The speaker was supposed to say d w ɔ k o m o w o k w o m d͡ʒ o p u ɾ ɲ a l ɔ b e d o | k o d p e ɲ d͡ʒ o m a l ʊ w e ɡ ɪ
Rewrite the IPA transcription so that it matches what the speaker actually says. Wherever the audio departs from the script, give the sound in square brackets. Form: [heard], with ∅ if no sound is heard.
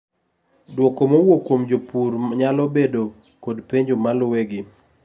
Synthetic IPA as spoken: d w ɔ k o m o w o k w o m d͡ʒ o p u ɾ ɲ a l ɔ b e d o | k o d p e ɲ d͡ʒ o m a l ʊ w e ɡ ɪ